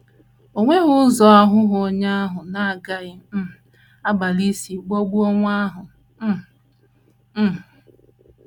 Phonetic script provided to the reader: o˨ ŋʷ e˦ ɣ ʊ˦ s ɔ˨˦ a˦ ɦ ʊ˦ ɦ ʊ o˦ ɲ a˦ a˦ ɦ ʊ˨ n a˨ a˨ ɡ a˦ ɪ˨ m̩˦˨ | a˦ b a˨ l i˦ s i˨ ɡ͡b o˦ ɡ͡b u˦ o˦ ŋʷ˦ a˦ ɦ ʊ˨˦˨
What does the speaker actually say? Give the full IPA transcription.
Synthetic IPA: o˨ ŋʷ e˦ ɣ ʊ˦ z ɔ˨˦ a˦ ɦ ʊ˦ ɦ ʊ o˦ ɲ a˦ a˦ ɦ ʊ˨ n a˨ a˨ ɡ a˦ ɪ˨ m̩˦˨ | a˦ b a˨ l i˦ s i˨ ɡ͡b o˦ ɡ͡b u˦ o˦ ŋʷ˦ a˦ ɦ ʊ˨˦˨